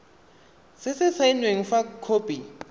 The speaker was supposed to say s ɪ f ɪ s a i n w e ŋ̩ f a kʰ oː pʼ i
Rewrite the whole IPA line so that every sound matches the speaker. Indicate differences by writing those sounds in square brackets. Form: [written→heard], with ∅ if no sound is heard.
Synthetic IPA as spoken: s ɪ [f→s] ɪ s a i n w e ŋ̩ f a kʰ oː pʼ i